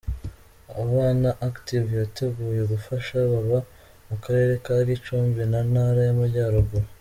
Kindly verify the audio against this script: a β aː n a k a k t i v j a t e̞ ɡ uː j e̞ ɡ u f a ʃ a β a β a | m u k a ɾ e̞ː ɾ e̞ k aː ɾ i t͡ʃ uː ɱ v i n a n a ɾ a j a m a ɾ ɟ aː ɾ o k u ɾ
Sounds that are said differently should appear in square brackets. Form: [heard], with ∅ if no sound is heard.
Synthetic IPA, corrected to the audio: a β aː n a [ʔ] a k t i v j a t e̞ ɡ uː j e̞ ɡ u f a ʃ a β a β a | m u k a ɾ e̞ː ɾ e̞ k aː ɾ i t͡ʃ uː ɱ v i n a n a ɾ a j a m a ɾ ɟ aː ɾ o [ɡ] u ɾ